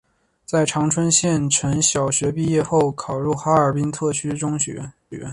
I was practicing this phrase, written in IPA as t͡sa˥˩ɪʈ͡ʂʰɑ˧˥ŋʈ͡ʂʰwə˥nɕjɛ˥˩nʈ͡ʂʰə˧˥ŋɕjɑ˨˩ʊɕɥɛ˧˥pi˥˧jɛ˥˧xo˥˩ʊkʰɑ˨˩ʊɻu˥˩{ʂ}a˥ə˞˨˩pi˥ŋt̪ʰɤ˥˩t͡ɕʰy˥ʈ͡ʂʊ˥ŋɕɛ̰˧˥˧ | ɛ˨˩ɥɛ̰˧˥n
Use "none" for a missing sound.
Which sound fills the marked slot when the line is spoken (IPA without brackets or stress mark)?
x